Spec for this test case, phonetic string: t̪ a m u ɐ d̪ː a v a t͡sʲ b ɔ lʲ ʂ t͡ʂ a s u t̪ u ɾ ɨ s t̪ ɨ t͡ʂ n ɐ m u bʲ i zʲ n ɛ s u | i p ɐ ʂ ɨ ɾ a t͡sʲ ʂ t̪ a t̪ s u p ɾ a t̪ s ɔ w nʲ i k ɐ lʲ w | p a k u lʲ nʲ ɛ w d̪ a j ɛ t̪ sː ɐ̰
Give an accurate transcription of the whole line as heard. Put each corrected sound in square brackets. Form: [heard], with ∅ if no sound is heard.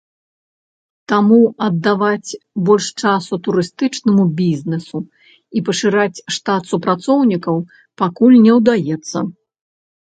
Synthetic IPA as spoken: t̪ a m u ɐ d̪ː a v a t͡sʲ b ɔ lʲ ʂ t͡ʂ a s u t̪ u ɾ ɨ s t̪ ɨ t͡ʂ n ɐ m u bʲ i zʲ n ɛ s u | i p ɐ ʂ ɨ ɾ a t͡sʲ ʂ t̪ a t̪ s u p ɾ a t̪ s ɔ w nʲ i k ɐ [∅] w | p a k u lʲ nʲ ɛ w d̪ a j ɛ t̪ sː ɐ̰